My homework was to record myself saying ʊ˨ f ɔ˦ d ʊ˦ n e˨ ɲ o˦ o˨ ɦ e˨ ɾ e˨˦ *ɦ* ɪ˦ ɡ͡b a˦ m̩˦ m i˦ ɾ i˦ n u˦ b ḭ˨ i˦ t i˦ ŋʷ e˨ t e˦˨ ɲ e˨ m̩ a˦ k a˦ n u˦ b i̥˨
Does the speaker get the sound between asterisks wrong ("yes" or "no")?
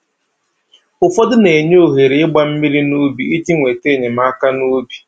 yes